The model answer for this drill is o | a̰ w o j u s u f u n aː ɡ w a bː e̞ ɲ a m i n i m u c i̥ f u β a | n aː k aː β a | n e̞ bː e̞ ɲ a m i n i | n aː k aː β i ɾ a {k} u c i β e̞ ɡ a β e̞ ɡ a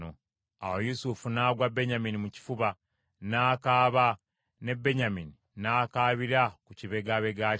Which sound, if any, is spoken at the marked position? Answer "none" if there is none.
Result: k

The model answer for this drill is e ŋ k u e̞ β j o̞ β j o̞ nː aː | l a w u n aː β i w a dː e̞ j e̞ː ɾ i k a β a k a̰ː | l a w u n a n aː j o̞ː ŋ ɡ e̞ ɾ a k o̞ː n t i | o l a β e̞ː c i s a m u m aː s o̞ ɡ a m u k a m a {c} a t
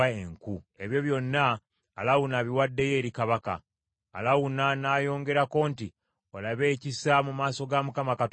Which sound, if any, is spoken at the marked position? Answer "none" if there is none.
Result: k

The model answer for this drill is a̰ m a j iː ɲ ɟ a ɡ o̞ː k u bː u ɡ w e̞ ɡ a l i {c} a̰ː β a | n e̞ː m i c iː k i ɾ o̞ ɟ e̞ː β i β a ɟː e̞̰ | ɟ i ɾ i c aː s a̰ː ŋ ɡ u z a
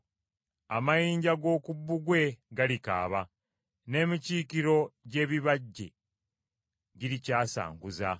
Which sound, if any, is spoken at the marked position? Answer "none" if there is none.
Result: k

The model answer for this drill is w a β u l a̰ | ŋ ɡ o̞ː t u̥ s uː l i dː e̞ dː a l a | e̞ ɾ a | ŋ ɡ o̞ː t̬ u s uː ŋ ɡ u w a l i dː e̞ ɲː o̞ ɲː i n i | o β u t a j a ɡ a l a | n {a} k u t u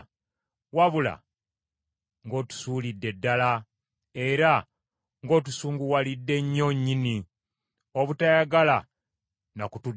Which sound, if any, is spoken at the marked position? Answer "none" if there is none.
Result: a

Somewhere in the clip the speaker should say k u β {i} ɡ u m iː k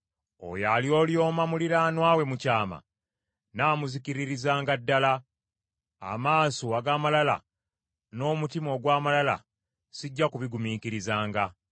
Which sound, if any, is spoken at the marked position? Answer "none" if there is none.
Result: i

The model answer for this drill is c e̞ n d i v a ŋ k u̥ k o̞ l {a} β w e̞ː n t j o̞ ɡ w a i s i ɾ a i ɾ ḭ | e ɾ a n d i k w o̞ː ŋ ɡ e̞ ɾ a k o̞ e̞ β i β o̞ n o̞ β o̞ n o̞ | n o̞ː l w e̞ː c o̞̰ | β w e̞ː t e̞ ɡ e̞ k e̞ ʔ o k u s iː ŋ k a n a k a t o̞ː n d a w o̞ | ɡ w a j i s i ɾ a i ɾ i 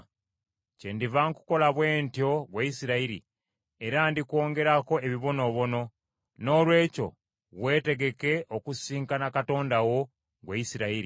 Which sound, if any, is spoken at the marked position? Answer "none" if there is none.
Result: a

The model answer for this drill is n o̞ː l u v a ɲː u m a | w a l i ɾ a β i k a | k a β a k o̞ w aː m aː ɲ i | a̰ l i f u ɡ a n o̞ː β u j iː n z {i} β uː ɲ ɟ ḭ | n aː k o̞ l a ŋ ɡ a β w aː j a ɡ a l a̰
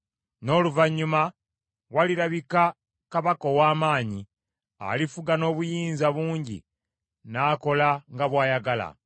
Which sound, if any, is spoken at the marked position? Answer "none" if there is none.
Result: a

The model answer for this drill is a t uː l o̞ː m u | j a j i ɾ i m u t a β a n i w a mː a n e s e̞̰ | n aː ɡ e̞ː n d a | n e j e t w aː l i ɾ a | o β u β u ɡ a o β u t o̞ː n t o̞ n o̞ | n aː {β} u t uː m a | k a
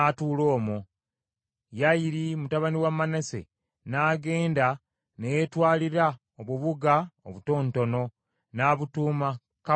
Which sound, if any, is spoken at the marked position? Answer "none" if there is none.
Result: β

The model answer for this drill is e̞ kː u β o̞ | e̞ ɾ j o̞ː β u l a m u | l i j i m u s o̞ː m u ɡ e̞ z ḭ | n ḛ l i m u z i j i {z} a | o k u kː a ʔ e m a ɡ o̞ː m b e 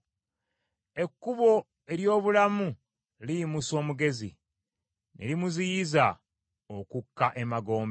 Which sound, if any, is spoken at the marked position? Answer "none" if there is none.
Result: z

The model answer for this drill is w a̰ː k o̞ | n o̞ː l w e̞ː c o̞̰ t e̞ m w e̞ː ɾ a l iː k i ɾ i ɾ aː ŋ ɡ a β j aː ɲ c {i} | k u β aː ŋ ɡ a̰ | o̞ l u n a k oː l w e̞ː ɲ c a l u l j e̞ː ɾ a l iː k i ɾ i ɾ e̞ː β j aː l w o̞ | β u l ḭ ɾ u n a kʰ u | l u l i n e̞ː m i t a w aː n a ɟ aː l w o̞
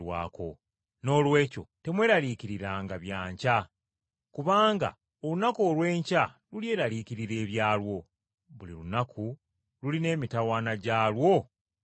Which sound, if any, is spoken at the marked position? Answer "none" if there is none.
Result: a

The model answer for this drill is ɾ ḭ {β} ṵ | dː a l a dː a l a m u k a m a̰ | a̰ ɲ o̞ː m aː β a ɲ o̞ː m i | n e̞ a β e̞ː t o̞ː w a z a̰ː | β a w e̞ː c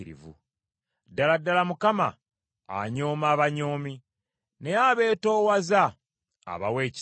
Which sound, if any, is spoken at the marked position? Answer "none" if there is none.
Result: v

